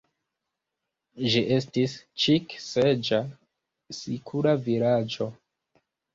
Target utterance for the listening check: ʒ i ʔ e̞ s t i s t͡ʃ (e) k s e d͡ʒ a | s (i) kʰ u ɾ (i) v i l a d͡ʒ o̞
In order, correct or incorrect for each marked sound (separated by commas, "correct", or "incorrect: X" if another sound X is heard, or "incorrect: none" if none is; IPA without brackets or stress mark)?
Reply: incorrect: i, correct, incorrect: a